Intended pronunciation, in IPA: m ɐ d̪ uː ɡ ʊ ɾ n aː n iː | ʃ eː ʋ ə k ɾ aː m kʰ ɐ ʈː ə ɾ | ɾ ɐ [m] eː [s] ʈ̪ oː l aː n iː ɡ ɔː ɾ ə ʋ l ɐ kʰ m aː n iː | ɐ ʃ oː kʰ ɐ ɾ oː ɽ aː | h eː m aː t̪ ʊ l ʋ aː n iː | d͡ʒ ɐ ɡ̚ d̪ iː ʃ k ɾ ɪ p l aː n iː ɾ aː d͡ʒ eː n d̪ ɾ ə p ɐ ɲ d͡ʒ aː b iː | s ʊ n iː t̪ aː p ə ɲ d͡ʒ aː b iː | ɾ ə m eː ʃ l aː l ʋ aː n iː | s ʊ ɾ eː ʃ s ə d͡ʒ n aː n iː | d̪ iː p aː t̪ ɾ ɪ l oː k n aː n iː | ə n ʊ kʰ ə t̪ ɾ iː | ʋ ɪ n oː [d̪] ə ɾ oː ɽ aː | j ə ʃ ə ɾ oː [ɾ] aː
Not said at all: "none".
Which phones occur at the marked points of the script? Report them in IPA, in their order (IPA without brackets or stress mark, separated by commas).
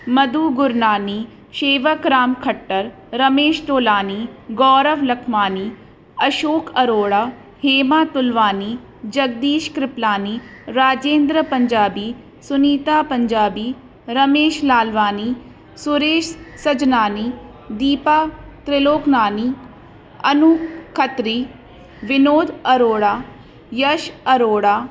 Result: m, ʃ, d̪, ɽ